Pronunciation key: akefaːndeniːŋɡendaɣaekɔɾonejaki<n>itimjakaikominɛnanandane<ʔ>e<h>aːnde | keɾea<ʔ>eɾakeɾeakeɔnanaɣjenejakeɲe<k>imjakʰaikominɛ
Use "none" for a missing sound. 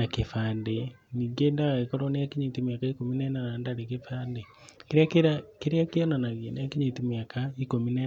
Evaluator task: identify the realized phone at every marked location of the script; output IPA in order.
ɲ, k, f, k, t

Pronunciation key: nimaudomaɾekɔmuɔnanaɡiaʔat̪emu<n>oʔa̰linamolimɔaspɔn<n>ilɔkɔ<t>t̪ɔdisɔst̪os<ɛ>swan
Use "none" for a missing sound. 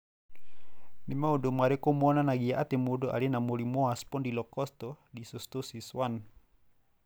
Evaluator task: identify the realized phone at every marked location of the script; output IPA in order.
d, d, s, i

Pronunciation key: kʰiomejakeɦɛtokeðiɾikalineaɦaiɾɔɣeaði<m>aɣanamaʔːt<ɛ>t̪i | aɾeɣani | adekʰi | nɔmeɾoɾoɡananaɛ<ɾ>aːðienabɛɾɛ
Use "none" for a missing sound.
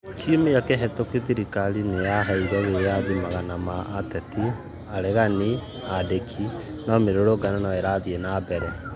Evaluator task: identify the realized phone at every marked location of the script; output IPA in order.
m, ɛ, ɾ

